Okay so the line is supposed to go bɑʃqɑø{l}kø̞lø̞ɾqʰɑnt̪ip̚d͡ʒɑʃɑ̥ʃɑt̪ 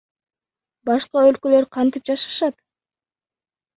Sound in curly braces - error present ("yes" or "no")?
no